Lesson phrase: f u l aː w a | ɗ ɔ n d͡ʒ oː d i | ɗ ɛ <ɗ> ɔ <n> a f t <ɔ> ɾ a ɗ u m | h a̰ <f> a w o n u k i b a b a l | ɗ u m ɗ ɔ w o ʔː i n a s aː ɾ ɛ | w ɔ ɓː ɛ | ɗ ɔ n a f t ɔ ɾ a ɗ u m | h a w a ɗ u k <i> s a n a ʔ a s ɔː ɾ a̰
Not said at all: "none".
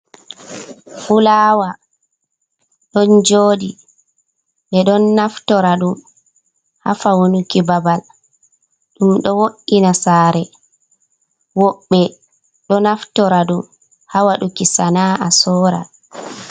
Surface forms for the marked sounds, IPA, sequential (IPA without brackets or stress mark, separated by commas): ɗ, nː, ɔ, f, i